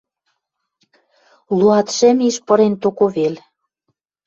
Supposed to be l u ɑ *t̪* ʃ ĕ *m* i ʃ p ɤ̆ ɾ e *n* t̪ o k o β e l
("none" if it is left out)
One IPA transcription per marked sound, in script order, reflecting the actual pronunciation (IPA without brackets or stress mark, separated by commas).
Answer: t̪, m, n